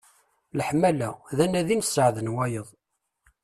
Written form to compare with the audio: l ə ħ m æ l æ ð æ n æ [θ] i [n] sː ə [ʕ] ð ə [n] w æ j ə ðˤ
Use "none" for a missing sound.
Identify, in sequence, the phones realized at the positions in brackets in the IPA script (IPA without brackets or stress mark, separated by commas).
ð, n, ʕ, n